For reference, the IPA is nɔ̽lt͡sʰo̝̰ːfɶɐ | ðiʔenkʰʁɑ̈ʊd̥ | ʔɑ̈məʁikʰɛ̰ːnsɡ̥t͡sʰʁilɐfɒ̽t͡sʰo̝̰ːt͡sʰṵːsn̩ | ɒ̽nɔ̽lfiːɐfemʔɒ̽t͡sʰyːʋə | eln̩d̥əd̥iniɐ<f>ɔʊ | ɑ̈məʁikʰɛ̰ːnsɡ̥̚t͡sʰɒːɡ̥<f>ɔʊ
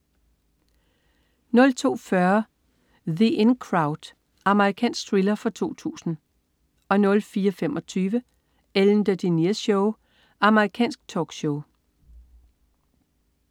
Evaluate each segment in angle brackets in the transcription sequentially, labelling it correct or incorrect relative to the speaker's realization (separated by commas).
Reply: incorrect, incorrect